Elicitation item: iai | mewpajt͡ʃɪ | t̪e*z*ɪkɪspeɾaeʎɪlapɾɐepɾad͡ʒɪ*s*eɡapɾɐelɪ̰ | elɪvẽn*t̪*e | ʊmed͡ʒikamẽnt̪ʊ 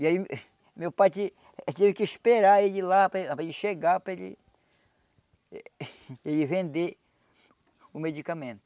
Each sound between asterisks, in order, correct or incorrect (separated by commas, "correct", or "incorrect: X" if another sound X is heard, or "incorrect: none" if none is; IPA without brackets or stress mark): incorrect: v, incorrect: ʃ, incorrect: d̪